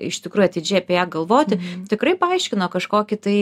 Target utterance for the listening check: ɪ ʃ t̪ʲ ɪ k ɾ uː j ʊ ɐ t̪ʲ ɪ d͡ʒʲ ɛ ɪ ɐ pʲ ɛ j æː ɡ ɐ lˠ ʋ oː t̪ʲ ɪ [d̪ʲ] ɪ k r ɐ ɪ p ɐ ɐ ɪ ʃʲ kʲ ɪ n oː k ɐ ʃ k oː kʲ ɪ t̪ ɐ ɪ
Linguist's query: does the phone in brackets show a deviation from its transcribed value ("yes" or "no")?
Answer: yes